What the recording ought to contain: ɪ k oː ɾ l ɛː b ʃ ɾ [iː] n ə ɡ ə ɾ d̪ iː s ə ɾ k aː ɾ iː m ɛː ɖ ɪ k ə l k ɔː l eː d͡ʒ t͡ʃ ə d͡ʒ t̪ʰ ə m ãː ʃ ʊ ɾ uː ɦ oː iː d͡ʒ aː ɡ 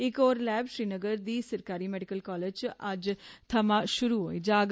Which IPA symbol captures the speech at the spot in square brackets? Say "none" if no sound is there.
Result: iː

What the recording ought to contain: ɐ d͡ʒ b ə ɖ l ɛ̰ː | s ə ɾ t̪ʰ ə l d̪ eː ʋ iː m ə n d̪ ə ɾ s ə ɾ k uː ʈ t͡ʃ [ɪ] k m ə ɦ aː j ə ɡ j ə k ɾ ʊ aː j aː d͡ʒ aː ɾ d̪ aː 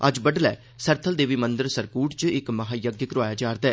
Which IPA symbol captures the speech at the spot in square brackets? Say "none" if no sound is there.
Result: ɪ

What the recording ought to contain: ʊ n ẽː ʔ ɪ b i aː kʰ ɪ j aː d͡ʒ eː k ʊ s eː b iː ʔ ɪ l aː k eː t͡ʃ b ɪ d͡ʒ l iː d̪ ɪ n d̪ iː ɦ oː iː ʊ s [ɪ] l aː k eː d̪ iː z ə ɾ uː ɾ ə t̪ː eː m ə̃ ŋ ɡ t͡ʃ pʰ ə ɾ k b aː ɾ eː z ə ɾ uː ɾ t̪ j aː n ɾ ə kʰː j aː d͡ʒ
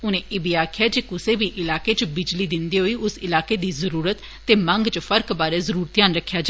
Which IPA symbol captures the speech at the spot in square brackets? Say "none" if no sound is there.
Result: ɪ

